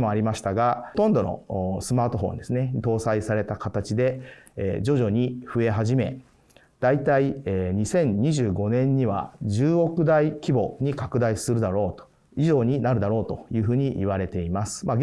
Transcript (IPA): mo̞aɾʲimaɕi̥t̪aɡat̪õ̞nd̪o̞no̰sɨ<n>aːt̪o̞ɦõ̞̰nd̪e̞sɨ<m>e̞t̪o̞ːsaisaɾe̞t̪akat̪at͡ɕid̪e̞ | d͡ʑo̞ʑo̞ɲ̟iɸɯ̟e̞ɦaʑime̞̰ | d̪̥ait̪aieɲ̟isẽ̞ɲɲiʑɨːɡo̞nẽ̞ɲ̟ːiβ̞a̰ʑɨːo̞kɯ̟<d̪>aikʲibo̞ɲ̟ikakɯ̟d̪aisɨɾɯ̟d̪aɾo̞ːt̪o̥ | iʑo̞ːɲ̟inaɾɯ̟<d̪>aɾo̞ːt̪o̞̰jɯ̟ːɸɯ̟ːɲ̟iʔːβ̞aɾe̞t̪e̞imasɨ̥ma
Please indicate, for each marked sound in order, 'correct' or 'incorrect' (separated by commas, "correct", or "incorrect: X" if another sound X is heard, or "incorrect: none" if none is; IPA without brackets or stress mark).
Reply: incorrect: m, incorrect: n, correct, correct